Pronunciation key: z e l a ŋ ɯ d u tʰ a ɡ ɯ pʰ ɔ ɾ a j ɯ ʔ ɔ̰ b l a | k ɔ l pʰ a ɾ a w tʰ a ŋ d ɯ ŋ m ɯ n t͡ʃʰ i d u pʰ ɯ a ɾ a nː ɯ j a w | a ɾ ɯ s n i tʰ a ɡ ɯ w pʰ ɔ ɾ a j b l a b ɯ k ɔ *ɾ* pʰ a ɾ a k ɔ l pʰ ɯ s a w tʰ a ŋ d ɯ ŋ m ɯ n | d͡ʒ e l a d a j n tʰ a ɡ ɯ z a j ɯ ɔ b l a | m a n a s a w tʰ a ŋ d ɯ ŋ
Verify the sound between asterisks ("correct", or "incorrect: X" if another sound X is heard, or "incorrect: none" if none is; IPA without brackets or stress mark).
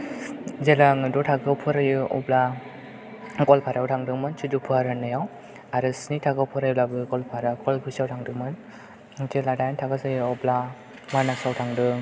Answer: incorrect: l